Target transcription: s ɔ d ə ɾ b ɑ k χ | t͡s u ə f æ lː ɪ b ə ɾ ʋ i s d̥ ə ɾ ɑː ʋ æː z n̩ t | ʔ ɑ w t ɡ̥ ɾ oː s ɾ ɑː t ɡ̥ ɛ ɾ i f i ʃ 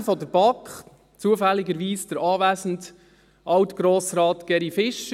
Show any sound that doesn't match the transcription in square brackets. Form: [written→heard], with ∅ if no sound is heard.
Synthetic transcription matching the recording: [s→f] ɔ d ə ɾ b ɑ k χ | t͡s u ə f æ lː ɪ [b→ɡ] ə ɾ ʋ [i→iː] s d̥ ə ɾ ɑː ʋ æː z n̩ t | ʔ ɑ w t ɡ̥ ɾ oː s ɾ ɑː t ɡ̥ ɛ ɾ i f [i→ɪ] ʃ